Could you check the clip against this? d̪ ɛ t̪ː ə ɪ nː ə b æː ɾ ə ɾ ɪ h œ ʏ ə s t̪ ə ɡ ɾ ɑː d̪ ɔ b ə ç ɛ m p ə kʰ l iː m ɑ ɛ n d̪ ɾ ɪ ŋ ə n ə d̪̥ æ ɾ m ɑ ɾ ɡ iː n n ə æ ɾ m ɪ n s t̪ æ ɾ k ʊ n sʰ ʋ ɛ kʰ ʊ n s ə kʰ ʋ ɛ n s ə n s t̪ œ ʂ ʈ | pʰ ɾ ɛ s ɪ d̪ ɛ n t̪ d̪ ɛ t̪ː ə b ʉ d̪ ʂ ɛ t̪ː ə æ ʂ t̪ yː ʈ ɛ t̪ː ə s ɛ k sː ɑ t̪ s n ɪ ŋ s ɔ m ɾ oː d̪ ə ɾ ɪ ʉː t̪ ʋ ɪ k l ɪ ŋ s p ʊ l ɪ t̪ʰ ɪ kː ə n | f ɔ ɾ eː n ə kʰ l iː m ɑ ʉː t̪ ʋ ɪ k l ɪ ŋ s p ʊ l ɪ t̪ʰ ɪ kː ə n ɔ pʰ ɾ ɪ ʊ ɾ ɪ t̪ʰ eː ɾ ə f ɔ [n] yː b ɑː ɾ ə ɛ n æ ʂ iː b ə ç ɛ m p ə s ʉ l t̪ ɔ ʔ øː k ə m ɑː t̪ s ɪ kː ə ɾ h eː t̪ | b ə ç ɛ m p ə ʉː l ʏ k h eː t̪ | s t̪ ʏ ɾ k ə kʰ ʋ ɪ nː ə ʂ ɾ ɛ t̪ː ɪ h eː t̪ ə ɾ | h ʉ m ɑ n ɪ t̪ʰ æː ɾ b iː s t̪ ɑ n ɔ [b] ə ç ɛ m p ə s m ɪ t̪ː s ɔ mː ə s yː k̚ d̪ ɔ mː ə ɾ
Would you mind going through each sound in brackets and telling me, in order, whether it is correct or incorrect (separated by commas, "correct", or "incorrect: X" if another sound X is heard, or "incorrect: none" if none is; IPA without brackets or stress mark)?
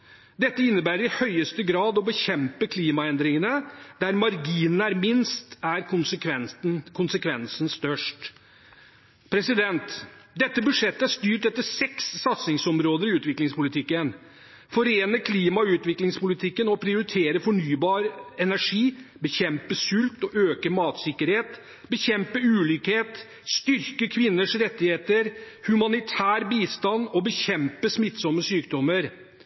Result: incorrect: ɳ, correct